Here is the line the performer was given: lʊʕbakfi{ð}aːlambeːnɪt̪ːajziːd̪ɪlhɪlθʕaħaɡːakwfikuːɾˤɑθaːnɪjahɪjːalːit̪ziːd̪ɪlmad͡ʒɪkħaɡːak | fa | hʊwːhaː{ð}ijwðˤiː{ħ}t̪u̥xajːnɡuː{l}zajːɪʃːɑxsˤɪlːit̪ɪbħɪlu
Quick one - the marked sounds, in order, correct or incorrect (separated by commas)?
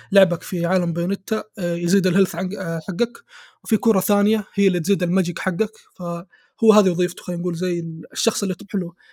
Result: incorrect, correct, incorrect, correct